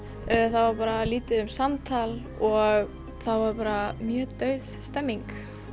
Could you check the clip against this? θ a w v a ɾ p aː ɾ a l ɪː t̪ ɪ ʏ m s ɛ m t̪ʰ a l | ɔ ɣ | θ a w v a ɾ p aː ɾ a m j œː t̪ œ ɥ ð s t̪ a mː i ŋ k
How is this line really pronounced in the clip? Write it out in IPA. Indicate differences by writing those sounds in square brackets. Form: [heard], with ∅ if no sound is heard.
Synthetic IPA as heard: θ a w v a ɾ p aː ɾ a l [iː] t̪ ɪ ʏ m s [a] m t̪ʰ a l | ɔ ɣ | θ a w v a ɾ p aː ɾ a m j œː t̪ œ ɥ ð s t̪ [ɛ] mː i ŋ k